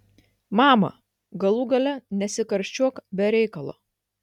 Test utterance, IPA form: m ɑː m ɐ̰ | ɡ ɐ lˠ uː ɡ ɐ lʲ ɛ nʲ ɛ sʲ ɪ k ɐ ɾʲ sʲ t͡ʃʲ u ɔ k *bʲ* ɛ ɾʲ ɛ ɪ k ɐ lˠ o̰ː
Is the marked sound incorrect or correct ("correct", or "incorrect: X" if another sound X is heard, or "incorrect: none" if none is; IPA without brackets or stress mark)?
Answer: correct